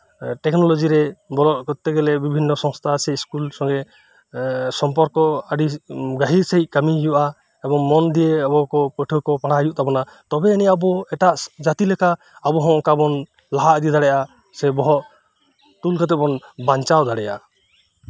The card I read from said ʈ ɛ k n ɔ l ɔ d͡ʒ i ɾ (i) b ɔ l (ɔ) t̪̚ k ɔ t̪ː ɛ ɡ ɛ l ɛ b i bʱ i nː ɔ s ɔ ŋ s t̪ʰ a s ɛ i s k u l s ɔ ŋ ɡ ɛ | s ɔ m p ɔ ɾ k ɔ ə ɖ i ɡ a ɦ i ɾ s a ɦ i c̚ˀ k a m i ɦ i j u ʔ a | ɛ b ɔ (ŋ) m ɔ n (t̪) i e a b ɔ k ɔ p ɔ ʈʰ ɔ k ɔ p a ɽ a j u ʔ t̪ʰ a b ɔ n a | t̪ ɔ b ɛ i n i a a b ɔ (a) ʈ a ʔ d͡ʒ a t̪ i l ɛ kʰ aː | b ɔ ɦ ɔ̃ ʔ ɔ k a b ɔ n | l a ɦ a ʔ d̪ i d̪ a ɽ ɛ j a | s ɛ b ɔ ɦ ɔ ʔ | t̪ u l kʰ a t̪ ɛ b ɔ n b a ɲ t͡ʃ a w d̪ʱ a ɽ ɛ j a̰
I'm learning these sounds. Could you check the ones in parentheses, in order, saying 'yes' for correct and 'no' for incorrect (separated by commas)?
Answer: no, yes, yes, no, no